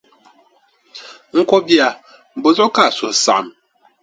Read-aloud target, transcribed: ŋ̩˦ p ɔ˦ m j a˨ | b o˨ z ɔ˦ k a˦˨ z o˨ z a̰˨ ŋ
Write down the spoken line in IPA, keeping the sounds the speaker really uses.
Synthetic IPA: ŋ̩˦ k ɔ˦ b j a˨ | b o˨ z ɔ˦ k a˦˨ s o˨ s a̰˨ m

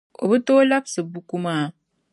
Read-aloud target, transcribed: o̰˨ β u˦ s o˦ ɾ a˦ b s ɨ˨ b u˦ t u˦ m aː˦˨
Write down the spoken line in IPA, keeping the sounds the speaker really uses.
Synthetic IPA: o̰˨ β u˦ t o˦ l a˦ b s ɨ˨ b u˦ k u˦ m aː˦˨

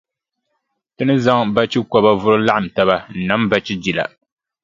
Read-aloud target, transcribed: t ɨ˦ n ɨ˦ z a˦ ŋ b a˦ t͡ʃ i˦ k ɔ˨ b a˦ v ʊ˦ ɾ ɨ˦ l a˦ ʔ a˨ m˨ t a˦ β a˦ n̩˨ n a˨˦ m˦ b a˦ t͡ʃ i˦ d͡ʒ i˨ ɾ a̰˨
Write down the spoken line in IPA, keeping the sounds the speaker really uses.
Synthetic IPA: t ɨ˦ n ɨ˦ z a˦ ŋ b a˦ t͡ʃ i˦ k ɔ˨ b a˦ v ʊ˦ ɾ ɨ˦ l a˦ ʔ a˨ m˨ t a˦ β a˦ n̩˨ n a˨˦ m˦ b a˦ t͡ʃ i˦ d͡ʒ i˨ l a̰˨

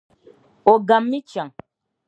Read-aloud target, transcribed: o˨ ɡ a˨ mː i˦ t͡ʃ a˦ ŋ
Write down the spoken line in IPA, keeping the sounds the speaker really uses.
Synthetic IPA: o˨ ɡ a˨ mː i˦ t͡ʃ a˨ ŋ

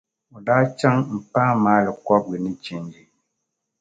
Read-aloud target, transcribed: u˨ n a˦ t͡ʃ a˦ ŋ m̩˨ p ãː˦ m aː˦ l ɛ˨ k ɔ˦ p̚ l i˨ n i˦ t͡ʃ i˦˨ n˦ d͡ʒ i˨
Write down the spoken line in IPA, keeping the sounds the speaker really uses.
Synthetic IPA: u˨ d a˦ t͡ʃ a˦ ŋ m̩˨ p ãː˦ m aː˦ l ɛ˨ k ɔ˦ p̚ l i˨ n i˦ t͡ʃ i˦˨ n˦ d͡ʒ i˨

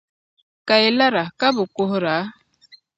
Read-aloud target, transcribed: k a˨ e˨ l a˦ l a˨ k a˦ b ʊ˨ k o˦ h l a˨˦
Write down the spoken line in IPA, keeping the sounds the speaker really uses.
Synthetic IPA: k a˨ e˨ l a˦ ɾ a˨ k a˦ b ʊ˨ k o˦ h ɾ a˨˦

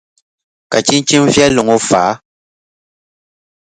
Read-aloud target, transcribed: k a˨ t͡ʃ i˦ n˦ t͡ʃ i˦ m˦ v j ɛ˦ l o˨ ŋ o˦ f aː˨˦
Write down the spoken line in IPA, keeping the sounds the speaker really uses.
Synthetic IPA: k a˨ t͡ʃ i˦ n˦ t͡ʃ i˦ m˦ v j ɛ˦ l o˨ ŋ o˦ f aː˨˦

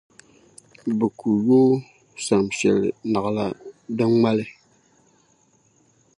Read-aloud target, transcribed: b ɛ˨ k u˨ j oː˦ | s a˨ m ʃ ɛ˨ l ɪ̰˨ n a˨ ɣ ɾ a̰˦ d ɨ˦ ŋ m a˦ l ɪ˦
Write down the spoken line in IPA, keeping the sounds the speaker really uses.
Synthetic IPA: b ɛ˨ k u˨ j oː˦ | s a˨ m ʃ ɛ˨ l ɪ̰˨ n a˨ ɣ l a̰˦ d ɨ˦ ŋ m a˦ l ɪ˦

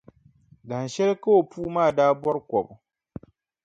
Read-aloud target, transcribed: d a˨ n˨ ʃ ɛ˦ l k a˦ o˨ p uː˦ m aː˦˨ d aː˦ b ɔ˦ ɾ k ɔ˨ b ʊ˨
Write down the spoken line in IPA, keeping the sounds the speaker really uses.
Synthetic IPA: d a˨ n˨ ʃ ɛ˦ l k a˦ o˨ p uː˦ m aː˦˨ d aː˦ b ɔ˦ ɾ k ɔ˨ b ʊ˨

